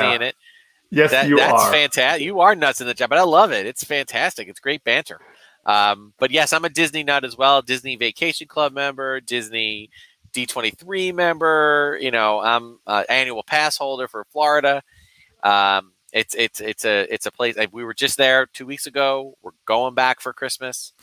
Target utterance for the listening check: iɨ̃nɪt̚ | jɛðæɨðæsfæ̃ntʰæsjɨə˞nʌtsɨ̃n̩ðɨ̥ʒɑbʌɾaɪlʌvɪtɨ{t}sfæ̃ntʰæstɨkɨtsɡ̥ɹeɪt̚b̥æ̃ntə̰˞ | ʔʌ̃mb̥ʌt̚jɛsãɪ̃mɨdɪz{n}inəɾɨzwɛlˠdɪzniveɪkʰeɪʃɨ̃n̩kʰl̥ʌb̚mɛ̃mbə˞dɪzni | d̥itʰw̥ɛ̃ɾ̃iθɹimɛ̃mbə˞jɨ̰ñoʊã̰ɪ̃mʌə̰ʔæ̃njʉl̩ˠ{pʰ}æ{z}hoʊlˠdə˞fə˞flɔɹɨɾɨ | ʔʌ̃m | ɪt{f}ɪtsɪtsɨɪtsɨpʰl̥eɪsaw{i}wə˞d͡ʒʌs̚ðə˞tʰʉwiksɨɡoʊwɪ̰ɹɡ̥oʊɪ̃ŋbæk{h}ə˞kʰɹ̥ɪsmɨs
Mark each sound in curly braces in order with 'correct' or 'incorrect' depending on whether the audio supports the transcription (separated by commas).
correct, correct, correct, incorrect, incorrect, correct, incorrect